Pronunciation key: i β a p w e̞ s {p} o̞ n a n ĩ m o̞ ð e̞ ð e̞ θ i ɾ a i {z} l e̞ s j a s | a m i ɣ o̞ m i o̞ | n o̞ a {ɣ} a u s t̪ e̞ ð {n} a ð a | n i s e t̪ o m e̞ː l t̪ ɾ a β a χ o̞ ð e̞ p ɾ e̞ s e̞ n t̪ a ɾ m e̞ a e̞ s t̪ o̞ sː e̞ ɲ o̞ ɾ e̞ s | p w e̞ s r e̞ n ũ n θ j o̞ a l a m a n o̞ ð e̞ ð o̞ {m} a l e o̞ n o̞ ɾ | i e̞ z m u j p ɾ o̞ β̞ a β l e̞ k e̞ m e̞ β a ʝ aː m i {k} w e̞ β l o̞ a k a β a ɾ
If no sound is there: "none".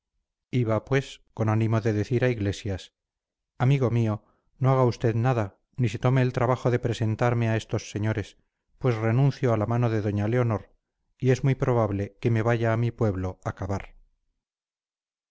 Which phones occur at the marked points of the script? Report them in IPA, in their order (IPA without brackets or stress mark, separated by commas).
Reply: k, ɣ, ɣ, n, ɲ, p